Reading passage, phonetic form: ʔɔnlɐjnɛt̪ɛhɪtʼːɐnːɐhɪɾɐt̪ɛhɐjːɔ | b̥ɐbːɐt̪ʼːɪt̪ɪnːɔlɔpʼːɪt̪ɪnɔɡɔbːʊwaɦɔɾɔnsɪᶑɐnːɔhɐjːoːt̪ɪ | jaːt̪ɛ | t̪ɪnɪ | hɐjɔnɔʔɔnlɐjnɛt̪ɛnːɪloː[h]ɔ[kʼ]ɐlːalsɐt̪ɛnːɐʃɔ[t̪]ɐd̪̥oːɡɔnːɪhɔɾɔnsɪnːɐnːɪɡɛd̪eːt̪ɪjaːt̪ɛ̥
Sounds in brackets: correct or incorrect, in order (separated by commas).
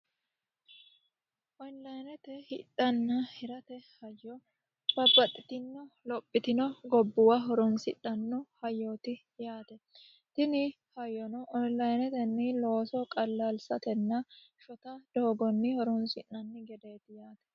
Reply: incorrect, correct, correct